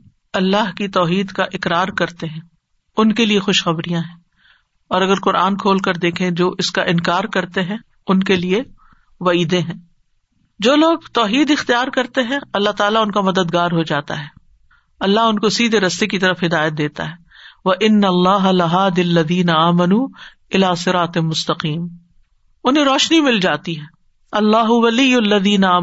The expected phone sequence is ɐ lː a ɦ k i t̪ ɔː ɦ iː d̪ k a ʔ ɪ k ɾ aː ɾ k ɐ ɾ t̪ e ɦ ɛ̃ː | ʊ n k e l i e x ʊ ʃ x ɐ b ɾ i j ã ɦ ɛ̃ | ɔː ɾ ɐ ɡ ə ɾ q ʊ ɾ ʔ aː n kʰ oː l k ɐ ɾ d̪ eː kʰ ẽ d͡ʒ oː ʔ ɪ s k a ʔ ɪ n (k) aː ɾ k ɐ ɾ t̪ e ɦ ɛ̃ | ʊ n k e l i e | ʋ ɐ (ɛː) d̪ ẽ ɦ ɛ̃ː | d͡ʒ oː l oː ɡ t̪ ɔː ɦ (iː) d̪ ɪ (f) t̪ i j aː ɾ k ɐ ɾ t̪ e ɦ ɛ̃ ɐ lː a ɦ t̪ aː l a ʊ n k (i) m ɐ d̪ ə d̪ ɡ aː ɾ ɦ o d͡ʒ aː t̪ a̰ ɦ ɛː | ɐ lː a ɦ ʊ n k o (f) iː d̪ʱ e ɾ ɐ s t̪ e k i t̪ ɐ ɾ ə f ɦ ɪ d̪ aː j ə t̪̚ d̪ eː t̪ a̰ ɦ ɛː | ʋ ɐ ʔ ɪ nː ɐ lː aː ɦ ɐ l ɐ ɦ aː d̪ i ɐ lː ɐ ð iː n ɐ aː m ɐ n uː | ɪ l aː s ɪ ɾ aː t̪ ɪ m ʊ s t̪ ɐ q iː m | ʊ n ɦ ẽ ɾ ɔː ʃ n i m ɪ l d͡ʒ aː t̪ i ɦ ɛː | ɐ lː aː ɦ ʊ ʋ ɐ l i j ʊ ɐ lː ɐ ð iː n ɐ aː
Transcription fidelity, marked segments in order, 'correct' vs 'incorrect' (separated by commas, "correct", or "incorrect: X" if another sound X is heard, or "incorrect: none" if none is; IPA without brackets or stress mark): correct, incorrect: iː, correct, incorrect: x, incorrect: a, incorrect: s